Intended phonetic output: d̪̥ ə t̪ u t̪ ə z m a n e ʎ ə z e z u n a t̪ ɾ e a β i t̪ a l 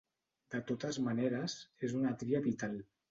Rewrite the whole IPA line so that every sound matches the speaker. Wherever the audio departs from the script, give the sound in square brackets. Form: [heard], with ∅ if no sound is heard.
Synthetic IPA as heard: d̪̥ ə t̪ [o] t̪ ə z m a n e [ɾ] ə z e z u n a t̪ ɾ [i] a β i t̪ a l